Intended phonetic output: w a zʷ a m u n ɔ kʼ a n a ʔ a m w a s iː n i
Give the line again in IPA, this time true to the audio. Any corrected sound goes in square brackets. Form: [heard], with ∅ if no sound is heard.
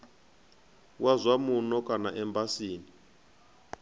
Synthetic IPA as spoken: w a zʷ a m u n ɔ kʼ a n a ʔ [ɛ] m [b] a s iː n i

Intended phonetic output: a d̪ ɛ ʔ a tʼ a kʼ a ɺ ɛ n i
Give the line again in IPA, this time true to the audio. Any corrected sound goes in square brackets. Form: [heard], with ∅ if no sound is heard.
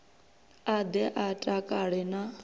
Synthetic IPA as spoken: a d̪ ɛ ʔ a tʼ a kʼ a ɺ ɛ n [a]

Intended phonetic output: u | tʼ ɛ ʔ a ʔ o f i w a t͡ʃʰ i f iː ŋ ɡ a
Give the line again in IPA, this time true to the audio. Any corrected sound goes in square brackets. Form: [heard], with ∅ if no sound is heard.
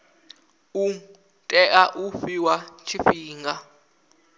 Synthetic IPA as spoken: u | tʼ ɛ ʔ a ʔ [u] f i w a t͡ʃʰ i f iː ŋ ɡ a

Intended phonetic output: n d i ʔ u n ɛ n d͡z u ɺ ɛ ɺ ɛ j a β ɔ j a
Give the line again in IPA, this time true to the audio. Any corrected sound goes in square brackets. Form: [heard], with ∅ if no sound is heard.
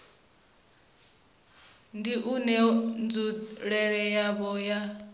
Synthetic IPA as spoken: n d i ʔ u n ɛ n d͡z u ɺ ɛ ɺ ɛ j a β ɔ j a

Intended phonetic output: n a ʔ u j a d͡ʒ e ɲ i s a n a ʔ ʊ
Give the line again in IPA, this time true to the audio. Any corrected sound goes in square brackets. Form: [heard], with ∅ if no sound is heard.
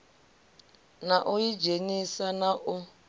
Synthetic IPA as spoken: n a ʔ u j [i] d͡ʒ e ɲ i s a n a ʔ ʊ

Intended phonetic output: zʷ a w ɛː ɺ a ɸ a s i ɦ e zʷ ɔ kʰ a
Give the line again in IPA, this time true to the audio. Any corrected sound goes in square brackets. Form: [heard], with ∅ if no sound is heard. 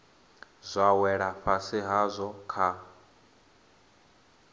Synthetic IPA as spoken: zʷ a w [ɛ] ɺ a ɸ a s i ɦ [a] zʷ ɔ kʰ a

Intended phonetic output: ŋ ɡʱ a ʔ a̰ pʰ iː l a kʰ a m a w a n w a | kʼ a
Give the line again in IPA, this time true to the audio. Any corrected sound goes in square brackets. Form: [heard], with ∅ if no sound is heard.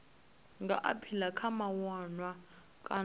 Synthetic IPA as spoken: ŋ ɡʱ a ʔ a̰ pʰ [i] l a kʰ a m a w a n w a | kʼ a

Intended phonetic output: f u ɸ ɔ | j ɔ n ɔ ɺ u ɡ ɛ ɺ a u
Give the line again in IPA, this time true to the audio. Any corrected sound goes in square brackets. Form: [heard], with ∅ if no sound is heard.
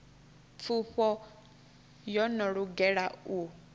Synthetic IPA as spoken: f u ɸ ɔ | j ɔ n ɔ ɺ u ɡ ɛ ɺ a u

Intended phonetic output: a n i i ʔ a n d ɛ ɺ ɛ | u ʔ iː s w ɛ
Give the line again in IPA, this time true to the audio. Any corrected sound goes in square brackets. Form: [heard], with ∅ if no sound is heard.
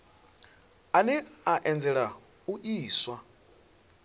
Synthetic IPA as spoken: a n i [a] ʔ [ɛ] n [d͡z] ɛ ɺ [a] | u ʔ iː s w [a]

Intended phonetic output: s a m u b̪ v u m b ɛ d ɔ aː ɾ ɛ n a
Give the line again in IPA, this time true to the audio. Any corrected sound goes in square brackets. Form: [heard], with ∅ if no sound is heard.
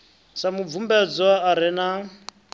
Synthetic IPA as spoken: s a m u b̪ v u m b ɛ [d͡z] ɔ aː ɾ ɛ n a

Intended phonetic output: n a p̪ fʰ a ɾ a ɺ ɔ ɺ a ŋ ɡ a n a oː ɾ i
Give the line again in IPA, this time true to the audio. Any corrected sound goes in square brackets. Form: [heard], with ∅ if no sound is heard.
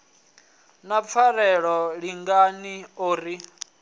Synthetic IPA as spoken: n a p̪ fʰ a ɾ [ɛ] ɺ ɔ ɺ [i] ŋ ɡ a n [i] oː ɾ i

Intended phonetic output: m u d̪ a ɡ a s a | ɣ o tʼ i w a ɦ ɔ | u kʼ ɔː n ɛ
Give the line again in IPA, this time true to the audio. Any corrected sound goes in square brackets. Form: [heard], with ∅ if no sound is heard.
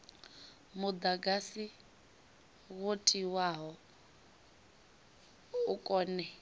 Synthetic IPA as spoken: m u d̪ a ɡ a s [i] | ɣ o tʼ i w a ɦ ɔ | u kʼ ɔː n ɛ

